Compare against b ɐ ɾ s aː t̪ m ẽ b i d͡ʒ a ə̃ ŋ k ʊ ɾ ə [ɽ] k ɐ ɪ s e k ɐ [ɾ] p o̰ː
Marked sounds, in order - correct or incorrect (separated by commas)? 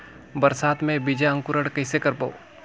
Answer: correct, correct